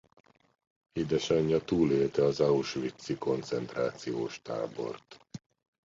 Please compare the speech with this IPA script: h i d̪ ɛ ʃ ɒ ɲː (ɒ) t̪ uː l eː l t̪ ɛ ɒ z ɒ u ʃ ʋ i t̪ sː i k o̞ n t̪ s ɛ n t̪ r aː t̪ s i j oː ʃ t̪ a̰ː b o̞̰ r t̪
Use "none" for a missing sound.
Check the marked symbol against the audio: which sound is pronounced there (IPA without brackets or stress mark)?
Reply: ɒ